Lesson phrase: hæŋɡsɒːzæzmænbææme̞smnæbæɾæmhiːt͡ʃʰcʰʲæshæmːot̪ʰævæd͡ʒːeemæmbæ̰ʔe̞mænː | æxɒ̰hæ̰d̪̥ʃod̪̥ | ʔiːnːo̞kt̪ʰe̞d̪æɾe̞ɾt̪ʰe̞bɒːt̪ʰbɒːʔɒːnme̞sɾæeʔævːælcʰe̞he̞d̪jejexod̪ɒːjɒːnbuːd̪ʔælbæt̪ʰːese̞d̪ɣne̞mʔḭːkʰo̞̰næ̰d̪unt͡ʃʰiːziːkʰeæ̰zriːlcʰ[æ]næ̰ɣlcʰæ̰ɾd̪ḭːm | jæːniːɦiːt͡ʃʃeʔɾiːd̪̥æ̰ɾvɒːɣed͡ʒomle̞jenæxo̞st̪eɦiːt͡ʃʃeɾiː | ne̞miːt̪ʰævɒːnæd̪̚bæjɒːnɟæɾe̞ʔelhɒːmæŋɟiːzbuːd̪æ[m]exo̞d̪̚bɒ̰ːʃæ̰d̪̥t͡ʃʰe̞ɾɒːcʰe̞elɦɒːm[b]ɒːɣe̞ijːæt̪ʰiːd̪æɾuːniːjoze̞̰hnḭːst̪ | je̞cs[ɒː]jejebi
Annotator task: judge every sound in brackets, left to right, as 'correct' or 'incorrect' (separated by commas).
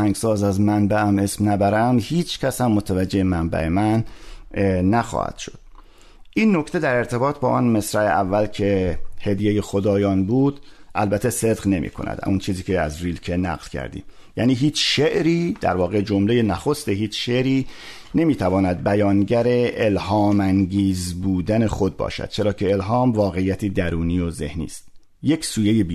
incorrect, incorrect, incorrect, incorrect